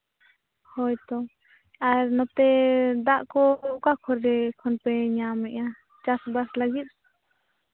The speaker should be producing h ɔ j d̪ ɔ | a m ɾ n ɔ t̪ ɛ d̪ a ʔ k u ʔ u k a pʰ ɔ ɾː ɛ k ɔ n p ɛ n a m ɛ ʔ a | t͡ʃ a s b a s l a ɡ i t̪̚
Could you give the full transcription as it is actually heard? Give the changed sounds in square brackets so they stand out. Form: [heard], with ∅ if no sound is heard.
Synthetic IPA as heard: h ɔ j [t̪] ɔ | a [∅] ɾ n ɔ t̪ ɛ d̪ a ʔ k [ɔ] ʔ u k a [kʰ] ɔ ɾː ɛ [kʰ] ɔ n p ɛ [ɲ] a m ɛ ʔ a | t͡ʃ a s b a s l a ɡ i t̪̚